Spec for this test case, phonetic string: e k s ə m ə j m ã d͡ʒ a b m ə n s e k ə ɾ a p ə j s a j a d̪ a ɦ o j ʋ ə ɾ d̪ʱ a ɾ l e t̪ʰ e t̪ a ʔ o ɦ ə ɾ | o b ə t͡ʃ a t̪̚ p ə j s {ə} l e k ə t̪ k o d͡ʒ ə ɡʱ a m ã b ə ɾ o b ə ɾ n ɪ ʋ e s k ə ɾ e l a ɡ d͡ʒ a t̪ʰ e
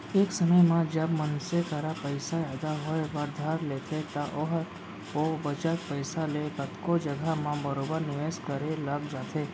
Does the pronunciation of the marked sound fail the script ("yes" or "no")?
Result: yes